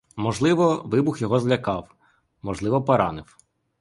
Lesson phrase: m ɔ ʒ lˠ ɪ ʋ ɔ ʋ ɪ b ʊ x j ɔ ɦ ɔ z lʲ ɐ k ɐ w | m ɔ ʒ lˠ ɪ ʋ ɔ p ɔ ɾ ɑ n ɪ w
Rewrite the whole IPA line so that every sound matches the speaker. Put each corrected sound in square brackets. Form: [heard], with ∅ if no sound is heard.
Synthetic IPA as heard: m ɔ ʒ lˠ ɪ ʋ ɔ ʋ ɪ b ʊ x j ɔ ɦ ɔ z lʲ ɐ k [ɑ] w | m ɔ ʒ lˠ ɪ ʋ ɔ p ɔ ɾ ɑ n ɪ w